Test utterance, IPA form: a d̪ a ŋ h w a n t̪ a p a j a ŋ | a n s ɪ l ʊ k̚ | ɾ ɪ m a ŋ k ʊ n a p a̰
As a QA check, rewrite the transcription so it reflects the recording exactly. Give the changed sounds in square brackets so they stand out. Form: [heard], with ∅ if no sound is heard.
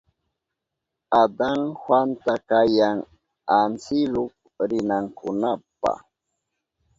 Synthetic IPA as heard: a d̪ a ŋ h w a n t̪ a [k] a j a ŋ | a n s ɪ l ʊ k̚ | ɾ ɪ [n] a ŋ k ʊ n a p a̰